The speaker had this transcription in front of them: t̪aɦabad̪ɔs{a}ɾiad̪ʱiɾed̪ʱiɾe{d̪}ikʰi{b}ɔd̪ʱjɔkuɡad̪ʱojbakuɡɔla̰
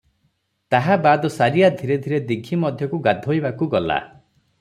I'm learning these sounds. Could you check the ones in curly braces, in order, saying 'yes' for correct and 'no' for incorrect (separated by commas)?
yes, yes, no